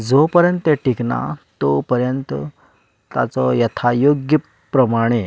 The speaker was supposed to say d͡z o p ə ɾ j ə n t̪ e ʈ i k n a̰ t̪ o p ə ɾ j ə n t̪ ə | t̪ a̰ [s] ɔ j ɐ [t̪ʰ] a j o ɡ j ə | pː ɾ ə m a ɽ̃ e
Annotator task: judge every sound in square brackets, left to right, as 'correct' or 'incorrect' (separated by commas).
incorrect, correct